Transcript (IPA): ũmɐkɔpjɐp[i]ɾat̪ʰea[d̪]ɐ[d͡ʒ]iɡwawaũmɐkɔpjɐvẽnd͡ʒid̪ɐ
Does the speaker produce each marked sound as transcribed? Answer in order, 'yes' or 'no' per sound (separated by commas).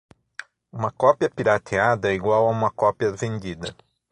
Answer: yes, yes, no